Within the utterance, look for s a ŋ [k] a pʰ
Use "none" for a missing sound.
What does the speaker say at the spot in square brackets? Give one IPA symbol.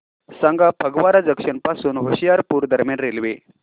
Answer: ɡ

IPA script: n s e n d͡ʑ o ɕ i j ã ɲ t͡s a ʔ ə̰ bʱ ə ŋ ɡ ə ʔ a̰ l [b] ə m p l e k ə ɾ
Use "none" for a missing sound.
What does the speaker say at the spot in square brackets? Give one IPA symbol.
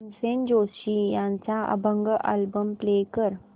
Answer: b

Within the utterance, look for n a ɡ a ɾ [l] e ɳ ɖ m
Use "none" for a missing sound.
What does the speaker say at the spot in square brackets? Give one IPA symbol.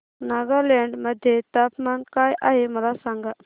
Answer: l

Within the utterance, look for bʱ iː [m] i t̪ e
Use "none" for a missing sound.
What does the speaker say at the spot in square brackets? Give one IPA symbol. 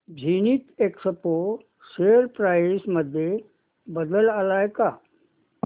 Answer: n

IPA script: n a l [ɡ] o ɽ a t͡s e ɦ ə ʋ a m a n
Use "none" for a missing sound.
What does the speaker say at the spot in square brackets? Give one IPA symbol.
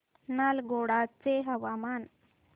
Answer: ɡ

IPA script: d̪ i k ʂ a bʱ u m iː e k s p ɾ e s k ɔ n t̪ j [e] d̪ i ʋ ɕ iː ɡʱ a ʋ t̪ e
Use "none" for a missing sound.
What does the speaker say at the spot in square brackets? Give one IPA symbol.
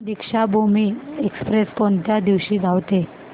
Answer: a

